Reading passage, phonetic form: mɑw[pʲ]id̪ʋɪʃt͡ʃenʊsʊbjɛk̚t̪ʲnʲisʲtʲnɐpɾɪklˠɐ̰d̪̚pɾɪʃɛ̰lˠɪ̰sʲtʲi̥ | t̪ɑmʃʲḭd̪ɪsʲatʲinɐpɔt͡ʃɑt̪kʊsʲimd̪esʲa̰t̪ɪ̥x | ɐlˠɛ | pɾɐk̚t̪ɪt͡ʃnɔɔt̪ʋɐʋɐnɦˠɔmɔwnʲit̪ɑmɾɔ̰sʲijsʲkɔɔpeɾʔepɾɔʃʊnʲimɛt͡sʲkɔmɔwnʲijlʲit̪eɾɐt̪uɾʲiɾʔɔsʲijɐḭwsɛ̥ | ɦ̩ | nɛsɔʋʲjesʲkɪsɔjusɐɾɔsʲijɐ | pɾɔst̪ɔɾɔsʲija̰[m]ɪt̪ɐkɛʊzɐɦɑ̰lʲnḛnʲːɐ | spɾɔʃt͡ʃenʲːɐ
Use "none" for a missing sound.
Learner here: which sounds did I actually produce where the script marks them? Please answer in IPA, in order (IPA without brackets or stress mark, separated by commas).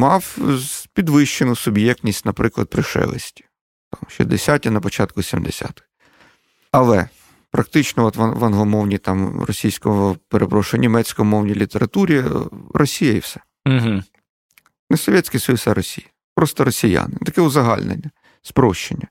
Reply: pʲ, n